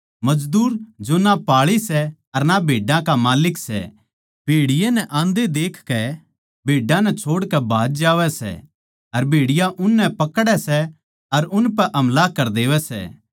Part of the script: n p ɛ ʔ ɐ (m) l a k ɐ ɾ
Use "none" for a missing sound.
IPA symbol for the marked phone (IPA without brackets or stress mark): m